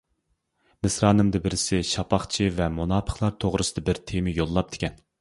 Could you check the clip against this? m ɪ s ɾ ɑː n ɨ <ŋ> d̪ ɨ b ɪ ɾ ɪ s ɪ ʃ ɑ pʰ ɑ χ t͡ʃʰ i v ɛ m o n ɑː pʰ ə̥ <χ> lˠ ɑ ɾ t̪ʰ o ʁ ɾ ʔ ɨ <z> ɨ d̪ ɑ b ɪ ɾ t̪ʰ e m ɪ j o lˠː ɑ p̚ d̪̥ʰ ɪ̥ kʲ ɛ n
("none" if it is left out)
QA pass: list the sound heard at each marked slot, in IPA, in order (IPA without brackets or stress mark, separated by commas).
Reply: m, χ, s